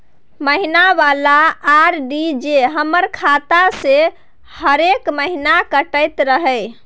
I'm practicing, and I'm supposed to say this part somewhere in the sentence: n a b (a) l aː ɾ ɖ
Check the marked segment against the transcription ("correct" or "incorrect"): correct